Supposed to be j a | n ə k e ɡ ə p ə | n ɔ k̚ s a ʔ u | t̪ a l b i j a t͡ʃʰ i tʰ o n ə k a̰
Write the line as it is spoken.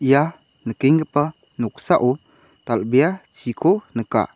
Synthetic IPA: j a | n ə k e ŋ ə p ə | n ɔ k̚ s a ʔ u | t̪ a l b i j a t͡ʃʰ i kʰ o n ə k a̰